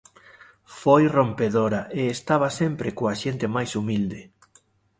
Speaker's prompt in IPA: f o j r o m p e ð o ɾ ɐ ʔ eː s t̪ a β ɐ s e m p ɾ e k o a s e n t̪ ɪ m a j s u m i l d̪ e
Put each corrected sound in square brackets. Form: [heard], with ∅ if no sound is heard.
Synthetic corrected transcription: f o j r o m p e ð o ɾ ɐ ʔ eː s t̪ a β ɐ s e m p ɾ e k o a [ʃ] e n t̪ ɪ m a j s u m i l d̪ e

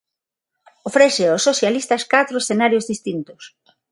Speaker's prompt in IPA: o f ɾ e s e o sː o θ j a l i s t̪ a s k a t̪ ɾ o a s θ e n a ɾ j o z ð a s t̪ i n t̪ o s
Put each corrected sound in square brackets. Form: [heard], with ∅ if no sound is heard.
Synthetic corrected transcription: o f ɾ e s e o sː o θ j a l i s t̪ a s k a t̪ ɾ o [e] s θ e n a ɾ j o z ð [i] s t̪ i n t̪ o s

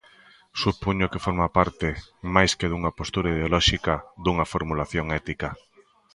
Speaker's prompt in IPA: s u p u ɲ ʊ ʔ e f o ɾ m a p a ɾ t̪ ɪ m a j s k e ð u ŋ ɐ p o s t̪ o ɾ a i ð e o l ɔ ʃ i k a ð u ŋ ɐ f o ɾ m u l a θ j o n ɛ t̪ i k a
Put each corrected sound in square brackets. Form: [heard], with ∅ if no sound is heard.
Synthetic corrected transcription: s u p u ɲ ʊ [k] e f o ɾ m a p a ɾ t̪ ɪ m a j s k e ð u ŋ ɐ p o s t̪ [u] ɾ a i ð e o l ɔ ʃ i k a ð u ŋ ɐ f o ɾ m u l a θ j o [ŋ] ɛ t̪ i k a

